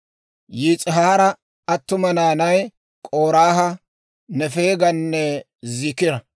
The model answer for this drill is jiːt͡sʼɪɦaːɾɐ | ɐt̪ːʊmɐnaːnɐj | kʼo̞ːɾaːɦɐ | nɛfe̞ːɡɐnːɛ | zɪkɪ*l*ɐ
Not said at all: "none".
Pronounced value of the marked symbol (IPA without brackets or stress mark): ɾ